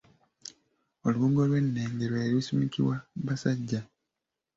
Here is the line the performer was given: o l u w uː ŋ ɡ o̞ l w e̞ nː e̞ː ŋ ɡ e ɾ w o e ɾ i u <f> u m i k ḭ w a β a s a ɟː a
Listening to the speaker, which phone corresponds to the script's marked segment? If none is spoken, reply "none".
s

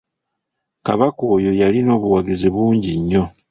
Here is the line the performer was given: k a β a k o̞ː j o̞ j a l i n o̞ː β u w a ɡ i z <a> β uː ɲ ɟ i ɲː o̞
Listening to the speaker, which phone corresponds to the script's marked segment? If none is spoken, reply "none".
i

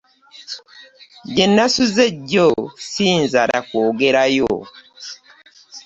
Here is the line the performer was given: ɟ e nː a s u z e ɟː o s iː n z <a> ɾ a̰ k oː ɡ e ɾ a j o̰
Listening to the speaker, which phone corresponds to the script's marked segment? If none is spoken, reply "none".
a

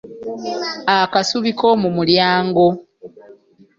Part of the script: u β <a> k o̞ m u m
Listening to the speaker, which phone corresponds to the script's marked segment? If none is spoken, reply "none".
i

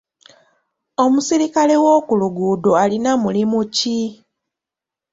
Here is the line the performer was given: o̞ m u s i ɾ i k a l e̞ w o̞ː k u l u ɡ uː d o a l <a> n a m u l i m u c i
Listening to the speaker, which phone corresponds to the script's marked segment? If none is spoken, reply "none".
i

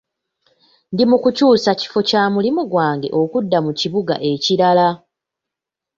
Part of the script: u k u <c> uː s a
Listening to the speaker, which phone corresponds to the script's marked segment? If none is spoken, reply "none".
c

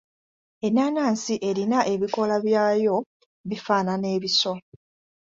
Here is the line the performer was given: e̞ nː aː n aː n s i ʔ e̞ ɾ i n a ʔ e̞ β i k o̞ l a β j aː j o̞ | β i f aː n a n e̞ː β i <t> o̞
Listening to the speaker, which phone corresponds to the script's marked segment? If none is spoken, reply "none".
s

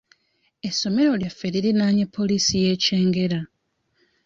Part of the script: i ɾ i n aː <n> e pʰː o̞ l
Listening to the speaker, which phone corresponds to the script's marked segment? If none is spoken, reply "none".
ɲ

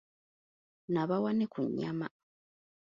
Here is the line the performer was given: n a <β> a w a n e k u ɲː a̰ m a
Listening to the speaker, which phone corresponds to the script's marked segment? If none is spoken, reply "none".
β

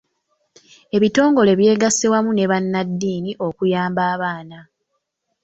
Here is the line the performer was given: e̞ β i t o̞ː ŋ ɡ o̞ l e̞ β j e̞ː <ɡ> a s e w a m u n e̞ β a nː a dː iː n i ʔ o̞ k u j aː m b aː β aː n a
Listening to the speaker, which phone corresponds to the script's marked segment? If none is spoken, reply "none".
ɡ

